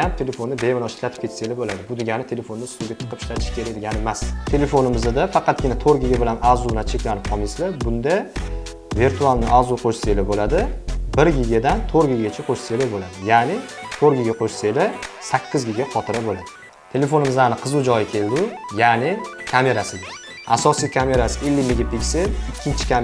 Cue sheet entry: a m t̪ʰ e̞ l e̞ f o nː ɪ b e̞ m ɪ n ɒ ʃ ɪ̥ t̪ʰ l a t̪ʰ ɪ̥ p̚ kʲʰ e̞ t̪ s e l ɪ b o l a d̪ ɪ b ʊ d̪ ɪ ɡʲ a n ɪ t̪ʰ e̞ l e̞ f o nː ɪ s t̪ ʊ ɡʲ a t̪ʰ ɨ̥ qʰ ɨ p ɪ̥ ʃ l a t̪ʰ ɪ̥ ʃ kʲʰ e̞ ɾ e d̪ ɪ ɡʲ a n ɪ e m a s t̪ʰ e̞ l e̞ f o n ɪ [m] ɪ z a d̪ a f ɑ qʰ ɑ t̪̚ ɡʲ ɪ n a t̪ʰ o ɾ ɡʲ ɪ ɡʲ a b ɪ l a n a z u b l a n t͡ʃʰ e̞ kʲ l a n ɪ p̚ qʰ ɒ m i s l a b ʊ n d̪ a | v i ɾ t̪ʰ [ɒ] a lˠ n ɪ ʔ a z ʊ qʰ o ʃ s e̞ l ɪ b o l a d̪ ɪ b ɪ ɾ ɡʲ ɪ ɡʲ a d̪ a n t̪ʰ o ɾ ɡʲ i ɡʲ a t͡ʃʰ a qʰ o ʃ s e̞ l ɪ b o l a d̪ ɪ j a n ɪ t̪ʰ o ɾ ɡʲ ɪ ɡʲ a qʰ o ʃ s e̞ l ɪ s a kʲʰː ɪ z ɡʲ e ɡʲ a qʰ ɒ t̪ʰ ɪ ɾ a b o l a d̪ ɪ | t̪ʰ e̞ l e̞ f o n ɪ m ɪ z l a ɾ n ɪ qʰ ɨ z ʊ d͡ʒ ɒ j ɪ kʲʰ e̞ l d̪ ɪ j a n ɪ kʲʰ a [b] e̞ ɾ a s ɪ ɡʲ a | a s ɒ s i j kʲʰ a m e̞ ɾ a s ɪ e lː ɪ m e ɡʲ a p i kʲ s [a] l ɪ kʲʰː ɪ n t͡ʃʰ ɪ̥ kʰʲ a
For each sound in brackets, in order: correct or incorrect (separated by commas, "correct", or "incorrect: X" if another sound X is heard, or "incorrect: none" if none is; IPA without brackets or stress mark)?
correct, incorrect: u, incorrect: m, incorrect: e